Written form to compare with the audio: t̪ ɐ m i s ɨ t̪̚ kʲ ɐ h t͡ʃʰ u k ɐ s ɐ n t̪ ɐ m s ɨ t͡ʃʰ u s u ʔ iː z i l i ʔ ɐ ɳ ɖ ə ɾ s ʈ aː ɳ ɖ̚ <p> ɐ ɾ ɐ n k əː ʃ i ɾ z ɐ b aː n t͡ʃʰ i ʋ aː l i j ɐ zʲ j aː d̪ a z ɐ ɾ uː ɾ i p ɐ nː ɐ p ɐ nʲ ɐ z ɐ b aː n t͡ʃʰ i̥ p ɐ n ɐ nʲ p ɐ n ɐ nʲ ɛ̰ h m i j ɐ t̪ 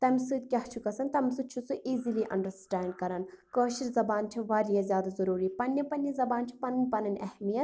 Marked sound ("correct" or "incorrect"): incorrect